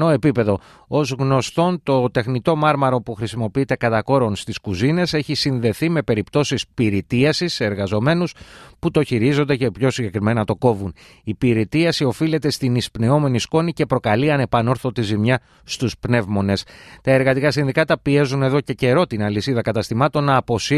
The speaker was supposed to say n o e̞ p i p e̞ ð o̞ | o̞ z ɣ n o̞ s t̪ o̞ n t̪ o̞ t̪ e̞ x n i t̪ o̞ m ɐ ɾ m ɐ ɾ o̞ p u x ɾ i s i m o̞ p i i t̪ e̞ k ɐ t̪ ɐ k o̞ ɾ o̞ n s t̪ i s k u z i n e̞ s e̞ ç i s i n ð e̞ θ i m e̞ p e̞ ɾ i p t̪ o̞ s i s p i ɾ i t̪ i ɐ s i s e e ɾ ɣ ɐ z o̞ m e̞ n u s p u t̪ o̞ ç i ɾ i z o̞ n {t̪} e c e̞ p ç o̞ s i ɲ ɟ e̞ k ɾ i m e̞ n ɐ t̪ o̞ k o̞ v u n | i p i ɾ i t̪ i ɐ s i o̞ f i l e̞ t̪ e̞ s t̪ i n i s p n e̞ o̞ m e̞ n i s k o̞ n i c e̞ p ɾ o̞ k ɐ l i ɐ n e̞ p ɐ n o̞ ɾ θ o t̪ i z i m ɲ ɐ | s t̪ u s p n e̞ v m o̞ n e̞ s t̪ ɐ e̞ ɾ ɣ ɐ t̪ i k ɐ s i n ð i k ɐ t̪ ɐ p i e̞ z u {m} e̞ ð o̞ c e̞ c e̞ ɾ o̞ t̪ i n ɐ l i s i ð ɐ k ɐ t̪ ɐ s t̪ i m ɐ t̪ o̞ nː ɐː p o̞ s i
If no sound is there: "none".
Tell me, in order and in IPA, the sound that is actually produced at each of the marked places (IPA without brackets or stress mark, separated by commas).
d̪, n